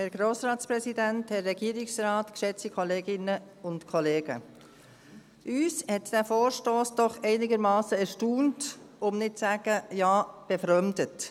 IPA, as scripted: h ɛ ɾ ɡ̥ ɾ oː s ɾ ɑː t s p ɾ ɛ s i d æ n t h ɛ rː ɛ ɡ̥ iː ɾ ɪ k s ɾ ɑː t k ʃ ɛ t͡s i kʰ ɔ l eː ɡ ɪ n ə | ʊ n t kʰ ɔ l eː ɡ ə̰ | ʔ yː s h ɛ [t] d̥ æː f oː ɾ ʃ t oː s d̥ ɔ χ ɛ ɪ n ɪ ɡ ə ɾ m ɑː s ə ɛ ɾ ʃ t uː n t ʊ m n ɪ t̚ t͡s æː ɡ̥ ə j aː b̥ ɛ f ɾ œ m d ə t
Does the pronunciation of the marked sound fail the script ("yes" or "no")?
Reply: no